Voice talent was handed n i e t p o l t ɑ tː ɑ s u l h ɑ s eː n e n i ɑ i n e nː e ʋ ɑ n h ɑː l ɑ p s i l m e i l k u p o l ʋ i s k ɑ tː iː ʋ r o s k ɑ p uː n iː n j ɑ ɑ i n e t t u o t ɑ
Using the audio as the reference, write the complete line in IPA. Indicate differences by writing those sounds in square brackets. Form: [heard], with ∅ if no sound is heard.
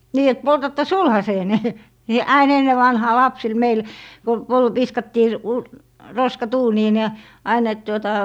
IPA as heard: n [iː] e t p o l t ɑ tː ɑ s u l h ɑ s eː n e n i ɑ i n e nː e ʋ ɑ n h ɑː l ɑ p s i l m e i l k u p o l ʋ i s k ɑ tː iː ʋ r o s k ɑ [t] uː n iː n j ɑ ɑ i n e t t u o t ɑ